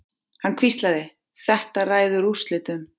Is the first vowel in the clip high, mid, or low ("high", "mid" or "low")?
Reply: low